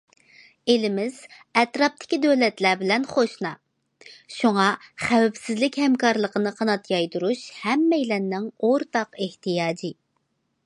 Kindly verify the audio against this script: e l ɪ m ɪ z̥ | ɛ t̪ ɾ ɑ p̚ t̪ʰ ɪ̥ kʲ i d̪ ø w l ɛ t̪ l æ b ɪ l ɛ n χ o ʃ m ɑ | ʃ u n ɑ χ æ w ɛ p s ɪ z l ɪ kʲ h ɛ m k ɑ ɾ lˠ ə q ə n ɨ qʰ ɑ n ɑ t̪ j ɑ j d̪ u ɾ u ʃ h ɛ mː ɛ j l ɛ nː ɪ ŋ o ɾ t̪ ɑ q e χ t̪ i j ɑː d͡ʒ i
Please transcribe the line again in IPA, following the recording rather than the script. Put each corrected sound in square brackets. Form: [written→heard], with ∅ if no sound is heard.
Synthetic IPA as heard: e l ɪ m ɪ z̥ | ɛ t̪ ɾ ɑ p̚ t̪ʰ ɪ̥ kʲ i d̪ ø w l ɛ t̪ l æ b ɪ l ɛ n χ o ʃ [m→n] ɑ | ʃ u [n→ŋ] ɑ χ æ w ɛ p s ɪ z l ɪ kʲ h ɛ m k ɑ ɾ lˠ ə q ə n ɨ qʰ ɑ n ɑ t̪ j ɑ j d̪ u ɾ u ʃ h ɛ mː ɛ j l ɛ nː ɪ ŋ o ɾ t̪ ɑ q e [χ→h] t̪ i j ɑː d͡ʒ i

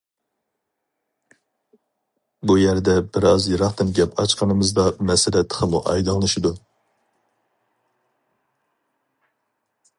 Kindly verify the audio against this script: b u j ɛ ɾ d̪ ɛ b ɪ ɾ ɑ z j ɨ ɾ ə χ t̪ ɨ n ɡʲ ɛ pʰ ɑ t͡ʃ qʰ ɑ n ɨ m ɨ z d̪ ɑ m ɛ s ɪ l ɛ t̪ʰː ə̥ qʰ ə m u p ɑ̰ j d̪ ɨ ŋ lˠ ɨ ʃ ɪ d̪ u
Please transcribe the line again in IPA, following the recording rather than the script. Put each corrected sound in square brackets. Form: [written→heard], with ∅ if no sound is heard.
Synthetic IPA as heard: b u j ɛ ɾ d̪ ɛ b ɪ ɾ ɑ z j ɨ ɾ [ə→ɑ] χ t̪ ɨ n ɡʲ ɛ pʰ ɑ t͡ʃ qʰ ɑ n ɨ m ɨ z d̪ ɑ m ɛ s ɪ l ɛ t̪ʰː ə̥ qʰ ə m u [p→ʔ] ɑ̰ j d̪ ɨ ŋ lˠ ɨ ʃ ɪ d̪ u

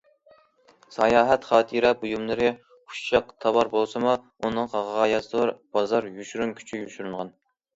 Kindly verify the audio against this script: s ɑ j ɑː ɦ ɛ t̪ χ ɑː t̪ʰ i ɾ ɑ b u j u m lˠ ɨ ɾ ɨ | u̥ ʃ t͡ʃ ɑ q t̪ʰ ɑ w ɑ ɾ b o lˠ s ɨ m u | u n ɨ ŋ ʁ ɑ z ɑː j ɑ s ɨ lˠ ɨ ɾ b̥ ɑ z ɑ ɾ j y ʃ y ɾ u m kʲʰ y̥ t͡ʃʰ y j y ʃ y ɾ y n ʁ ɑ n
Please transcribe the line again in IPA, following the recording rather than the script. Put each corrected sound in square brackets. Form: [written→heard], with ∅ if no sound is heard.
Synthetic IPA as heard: s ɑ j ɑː ɦ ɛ t̪ χ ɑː t̪ʰ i ɾ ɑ b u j u m lˠ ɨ ɾ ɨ | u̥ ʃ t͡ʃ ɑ q t̪ʰ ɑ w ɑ ɾ b o lˠ s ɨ m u | u n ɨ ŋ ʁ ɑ [z→ʁ] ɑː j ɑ s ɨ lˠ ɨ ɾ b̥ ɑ z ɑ ɾ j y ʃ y ɾ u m kʲʰ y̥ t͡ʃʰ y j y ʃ y ɾ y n ʁ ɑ n

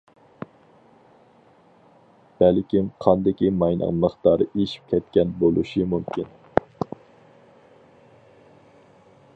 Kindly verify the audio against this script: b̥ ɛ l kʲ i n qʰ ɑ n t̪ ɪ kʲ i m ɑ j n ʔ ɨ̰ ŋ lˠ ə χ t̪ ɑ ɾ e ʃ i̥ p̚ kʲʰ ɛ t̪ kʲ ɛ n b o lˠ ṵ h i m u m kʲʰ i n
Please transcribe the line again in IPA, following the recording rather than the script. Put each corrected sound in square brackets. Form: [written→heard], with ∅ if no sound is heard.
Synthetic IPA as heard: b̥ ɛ l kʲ i [n→m] qʰ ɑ n [t̪→d̪] ɪ kʲ i m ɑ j n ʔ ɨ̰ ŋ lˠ ə χ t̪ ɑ ɾ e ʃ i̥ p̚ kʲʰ ɛ t̪ kʲ ɛ n b o lˠ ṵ [h→ʃ] i m u m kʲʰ i n

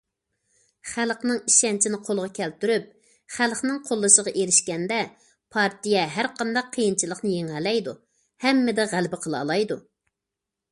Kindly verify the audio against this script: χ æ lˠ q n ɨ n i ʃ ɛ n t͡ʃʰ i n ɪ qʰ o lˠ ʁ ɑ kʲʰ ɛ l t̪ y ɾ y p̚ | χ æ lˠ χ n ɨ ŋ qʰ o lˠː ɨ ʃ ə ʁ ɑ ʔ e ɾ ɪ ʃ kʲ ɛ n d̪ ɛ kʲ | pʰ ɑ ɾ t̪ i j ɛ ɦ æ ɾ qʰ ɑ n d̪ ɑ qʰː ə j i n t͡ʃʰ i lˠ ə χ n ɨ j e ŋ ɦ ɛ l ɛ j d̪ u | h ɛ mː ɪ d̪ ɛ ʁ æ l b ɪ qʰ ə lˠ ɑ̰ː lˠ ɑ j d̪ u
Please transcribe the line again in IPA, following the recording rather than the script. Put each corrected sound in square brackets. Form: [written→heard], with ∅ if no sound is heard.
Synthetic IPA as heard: χ æ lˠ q n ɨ [n→ŋ] i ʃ ɛ n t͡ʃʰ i n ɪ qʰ o lˠ ʁ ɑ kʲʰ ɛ l t̪ y ɾ y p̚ | χ æ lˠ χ n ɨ ŋ qʰ o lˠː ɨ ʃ ə ʁ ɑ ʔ e ɾ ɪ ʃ kʲ ɛ n d̪ ɛ [kʲ→∅] | pʰ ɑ ɾ t̪ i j ɛ ɦ æ ɾ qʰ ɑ n d̪ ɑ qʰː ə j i n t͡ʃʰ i lˠ ə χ n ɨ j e ŋ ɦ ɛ l ɛ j d̪ u | h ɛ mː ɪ d̪ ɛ ʁ æ l b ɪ qʰ ə lˠ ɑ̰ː lˠ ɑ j d̪ u

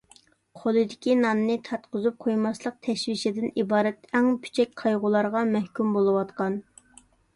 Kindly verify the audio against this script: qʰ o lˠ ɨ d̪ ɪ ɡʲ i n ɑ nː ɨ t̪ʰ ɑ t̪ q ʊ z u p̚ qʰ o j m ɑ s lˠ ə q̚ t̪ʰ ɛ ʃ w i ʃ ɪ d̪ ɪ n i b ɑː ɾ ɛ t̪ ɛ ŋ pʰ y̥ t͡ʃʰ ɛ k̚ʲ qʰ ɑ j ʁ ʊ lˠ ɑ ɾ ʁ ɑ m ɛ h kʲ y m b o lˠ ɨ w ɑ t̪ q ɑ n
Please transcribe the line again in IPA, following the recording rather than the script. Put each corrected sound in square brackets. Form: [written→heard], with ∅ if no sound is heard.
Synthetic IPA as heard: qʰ o lˠ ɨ d̪ ɪ [ɡʲ→kʲ] i n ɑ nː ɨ t̪ʰ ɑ t̪ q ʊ z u p̚ qʰ o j m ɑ s lˠ ə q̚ t̪ʰ ɛ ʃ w i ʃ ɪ d̪ ɪ n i b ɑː ɾ ɛ t̪ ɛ ŋ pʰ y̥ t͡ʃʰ ɛ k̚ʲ qʰ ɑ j ʁ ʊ lˠ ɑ ɾ ʁ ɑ m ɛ h kʲ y m b o lˠ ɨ w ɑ t̪ q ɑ n

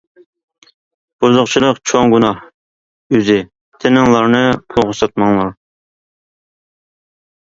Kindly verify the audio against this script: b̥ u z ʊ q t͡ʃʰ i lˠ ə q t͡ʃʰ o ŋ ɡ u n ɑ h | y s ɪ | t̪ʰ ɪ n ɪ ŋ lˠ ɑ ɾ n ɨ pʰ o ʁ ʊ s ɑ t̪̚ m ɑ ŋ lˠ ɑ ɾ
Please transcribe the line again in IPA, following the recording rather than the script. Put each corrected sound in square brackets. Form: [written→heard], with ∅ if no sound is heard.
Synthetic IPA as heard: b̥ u z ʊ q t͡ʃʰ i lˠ ə q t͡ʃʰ o ŋ ɡ u n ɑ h | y [s→z] ɪ | t̪ʰ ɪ n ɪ ŋ lˠ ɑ ɾ n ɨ pʰ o ʁ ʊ s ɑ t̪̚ m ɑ ŋ lˠ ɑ ɾ

